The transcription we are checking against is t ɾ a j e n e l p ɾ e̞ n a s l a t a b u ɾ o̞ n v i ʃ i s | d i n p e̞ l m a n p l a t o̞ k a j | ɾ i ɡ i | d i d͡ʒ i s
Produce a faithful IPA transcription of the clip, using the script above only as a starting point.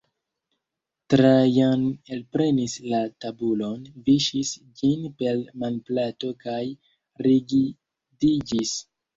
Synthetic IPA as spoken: t ɾ a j a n e l p ɾ e̞ n i s l a t a b u l o̞ n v i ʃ i s | d͡ʒ i n p e̞ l m a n p l a t o̞ k a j | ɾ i ɡ i | d i d͡ʒ i s